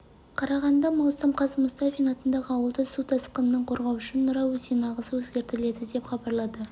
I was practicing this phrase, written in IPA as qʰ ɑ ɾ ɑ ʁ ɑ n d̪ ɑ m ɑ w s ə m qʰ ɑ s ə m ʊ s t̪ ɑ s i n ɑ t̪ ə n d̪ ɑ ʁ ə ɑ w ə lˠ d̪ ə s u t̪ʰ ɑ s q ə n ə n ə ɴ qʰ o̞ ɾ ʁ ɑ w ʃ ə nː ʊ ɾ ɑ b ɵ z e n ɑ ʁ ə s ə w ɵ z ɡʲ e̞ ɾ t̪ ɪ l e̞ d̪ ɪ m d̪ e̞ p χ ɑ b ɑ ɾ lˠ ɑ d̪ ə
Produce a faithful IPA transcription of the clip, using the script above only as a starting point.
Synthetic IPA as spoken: qʰ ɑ ɾ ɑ ʁ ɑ n d̪ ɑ m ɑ w s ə m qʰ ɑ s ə m ʊ s t̪ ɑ f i n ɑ t̪ ə n d̪ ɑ ʁ ə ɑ w ə lˠ d̪ ə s u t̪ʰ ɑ s q ə n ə n ə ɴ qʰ o̞ ɾ ʁ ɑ w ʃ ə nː ʊ ɾ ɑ w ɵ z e n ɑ ʁ ə s ə w ɵ z ɡʲ e̞ ɾ t̪ ɪ l e̞ d̪ ɪ d̪ e̞ p χ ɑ b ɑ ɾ lˠ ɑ d̪ ə